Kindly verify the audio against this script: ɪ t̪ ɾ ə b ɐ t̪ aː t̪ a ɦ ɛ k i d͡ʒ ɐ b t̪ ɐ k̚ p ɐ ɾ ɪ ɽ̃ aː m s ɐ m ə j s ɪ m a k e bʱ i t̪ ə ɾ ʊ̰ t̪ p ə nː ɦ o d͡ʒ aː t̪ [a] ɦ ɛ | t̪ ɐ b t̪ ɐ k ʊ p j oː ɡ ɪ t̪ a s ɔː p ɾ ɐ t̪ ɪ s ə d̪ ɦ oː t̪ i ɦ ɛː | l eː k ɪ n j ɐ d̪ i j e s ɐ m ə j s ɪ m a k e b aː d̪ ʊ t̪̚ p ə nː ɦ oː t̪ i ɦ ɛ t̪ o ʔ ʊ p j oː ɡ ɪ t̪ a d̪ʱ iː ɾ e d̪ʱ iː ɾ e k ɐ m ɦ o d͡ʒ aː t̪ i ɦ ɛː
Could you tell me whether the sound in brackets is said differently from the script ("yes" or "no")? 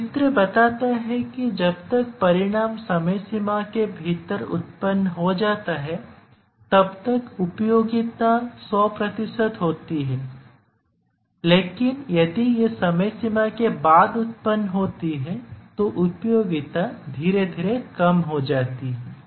no